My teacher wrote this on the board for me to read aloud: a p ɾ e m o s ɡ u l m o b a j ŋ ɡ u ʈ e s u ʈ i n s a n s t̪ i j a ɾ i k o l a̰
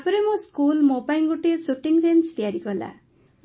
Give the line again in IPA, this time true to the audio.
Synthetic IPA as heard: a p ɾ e m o s k u l m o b a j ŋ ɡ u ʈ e s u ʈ i ŋ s e n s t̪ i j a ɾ i k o l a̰

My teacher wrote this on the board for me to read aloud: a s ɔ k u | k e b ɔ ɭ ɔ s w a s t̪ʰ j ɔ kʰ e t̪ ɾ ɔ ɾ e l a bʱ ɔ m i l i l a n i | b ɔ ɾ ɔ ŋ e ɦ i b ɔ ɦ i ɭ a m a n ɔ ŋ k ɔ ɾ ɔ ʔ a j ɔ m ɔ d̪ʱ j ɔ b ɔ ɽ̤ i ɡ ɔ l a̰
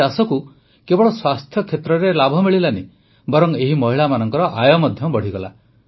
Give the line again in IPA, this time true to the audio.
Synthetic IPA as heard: a s ɔ k u | k e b ɔ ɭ ɔ s w a s t̪ʰ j ɔ kʰ e t̪ ɾ ɔ ɾ e l a bʱ ɔ m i ɭ i l a n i | b ɔ ɾ ɔ ŋ e ɦ i m ɔ ɦ i ɭ a m a n ɔ ŋ k ɔ ɾ ɔ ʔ a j ɔ m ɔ d̪ʱ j ɔ b ɔ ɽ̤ i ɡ ɔ l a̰

